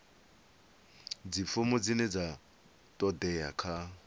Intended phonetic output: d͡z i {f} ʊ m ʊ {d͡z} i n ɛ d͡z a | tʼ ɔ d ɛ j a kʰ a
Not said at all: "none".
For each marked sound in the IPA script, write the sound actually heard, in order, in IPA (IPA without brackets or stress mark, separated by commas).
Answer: f, d͡z